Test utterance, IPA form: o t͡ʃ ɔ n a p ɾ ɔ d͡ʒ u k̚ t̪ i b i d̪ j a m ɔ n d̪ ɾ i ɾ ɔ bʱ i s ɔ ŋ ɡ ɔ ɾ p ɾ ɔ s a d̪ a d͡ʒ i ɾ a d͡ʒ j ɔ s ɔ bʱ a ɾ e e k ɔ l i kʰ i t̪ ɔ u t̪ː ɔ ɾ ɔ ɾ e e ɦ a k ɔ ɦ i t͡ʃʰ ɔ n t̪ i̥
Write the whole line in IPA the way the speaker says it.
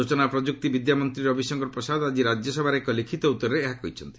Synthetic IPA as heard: o t͡ʃ ɔ n a p ɾ ɔ d͡ʒ u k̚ t̪ i b i d̪ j a m ɔ n t̪ ɾ i ɾ ɔ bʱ i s ɔ ŋ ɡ ɔ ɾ p ɾ ɔ s a d̪ a d͡ʒ i ɾ a d͡ʒ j ɔ s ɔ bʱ a ɾ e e k ɔ l i kʰ i t̪ ɔ u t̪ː ɔ ɾ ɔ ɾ e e ɦ a k ɔ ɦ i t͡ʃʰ ɔ n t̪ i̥